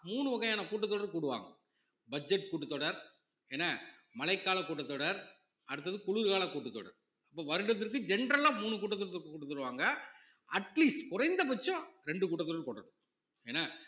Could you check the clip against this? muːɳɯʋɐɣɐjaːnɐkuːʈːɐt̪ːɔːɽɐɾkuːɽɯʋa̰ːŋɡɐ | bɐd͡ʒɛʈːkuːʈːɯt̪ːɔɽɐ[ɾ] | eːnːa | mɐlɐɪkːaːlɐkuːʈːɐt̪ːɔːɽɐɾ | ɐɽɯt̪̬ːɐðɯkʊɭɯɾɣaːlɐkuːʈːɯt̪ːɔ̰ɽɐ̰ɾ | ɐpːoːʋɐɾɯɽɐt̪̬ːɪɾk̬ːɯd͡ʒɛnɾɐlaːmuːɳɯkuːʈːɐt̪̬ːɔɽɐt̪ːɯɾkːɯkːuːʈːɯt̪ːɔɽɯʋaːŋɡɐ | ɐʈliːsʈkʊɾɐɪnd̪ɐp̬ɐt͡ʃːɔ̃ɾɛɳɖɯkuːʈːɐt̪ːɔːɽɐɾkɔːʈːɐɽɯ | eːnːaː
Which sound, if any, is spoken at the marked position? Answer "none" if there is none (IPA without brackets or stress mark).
ɾ